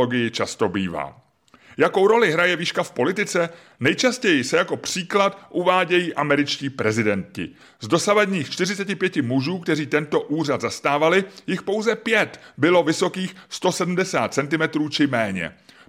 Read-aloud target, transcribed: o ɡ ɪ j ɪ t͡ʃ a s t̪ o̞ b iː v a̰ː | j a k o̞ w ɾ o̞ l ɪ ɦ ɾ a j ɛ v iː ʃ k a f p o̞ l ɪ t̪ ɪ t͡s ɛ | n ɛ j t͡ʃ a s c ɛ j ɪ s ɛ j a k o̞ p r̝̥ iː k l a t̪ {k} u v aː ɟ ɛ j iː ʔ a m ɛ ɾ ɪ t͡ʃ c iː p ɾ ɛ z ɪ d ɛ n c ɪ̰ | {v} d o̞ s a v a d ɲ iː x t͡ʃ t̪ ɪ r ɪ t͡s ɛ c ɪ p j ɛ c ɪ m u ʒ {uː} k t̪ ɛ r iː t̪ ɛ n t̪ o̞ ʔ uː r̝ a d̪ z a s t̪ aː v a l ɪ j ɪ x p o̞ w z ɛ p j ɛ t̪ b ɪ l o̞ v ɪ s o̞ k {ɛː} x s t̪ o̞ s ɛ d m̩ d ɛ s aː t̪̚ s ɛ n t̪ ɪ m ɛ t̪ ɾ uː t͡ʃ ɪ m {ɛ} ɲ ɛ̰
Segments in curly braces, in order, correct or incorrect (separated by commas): incorrect, incorrect, correct, incorrect, incorrect